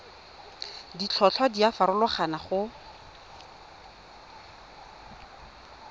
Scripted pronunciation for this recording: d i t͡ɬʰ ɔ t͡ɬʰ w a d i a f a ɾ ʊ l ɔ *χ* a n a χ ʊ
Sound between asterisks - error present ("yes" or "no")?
no